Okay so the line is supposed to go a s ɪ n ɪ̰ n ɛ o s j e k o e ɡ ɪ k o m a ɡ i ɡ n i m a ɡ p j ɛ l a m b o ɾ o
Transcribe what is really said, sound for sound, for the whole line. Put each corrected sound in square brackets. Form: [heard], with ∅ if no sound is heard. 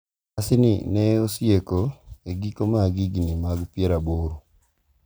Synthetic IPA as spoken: a s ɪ n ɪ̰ n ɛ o s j e k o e ɡ [i] k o m a ɡ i ɡ n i m a ɡ p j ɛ [ɾ] a [∅] b o ɾ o